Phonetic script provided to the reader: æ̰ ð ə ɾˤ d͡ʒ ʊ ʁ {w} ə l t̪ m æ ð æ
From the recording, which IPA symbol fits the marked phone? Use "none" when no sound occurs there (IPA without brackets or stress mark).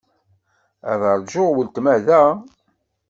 w